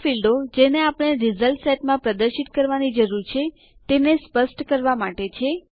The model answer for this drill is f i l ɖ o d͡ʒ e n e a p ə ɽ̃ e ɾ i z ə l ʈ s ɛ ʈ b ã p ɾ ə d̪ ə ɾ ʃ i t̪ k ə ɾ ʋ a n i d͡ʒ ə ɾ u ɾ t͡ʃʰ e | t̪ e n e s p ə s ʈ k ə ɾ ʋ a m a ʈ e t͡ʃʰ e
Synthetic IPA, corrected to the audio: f i l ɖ o d͡ʒ e n e a p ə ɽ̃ e ɾ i z ə l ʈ s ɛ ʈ m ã p ɾ ə d̪ ə ɾ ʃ i t̪ k ə ɾ ʋ a n i d͡ʒ ə ɾ u ɾ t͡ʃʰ e | t̪ e n e s p ə s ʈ k ə ɾ ʋ a m a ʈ e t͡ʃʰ e